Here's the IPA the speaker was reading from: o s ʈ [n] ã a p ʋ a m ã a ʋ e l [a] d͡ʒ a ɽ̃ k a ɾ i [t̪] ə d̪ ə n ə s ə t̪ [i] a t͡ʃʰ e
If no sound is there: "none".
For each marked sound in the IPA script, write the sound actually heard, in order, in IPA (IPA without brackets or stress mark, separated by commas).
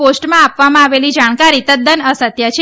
m, i, t̪, j